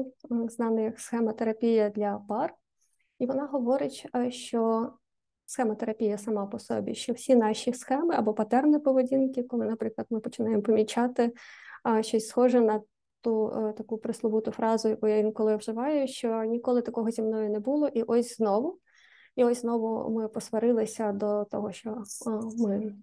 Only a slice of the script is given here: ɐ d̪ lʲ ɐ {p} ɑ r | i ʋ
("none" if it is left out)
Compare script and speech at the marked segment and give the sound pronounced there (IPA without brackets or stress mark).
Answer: p